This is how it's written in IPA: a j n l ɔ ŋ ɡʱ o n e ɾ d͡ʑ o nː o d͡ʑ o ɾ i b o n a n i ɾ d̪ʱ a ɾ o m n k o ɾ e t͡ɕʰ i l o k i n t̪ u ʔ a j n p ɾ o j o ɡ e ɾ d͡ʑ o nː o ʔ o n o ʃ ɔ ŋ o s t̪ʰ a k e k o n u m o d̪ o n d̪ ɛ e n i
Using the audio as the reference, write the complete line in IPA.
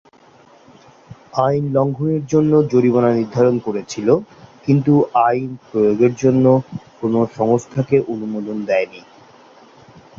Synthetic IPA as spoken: a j n l ɔ ŋ ɡʱ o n e ɾ d͡ʑ o nː o d͡ʑ o ɾ i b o n a n i ɾ d̪ʱ a ɾ o n k o ɾ e t͡ɕʰ i l o k i n t̪ u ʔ a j n p ɾ o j o ɡ e ɾ d͡ʑ o nː o k o n o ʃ ɔ ŋ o s t̪ʰ a k e ʔ o n u m o d̪ o n d̪ ɛ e n i